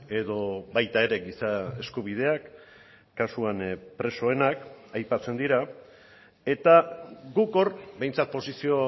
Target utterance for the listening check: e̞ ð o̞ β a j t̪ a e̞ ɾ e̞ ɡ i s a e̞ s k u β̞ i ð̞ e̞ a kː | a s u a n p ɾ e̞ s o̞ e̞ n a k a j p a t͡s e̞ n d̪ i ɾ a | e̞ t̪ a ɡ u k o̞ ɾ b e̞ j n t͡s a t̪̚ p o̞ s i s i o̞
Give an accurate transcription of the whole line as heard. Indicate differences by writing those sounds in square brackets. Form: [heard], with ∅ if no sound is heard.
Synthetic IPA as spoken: e̞ ð o̞ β a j t̪ a e̞ ɾ e̞ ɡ i s a e̞ s k u β̞ i ð̞ e̞ a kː | a s u a n p ɾ e̞ s o̞ e̞ n a k a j p a t͡s e̞ n d̪ i ɾ a | e̞ t̪ a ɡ u k o̞ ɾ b e̞ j n t͡s a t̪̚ p o̞ s i s i o̞